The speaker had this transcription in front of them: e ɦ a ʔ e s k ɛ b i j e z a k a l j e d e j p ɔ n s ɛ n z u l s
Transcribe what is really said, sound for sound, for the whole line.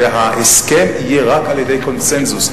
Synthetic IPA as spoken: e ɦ a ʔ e s k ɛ m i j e ʁ a k a l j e d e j k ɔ n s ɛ n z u s